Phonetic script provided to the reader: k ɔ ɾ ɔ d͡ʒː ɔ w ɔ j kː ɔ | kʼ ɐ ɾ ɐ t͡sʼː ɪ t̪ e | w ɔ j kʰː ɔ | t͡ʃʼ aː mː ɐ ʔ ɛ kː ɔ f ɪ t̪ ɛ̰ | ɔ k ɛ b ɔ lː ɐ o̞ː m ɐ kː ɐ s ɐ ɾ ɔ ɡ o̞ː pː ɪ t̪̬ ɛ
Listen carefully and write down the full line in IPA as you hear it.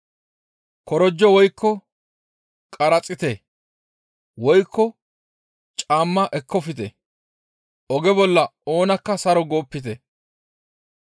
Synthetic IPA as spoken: k ɔ ɾ ɔ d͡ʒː ɔ w ɔ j kː ɔ | kʼ ɐ ɾ ɐ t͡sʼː ɪ t̪ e | w ɔ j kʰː ɔ | t͡ʃʼ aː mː ɐ ʔ ɛ kː ɔ f ɪ t̪ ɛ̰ | ɔ ɡ ɛ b ɔ lː ɐ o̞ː n ɐ kː ɐ s ɐ ɾ ɔ ɡ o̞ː pː ɪ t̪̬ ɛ